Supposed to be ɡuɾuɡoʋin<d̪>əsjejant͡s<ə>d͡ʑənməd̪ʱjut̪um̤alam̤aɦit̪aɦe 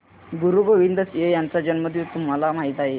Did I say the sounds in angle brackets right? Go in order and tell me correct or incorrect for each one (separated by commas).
correct, incorrect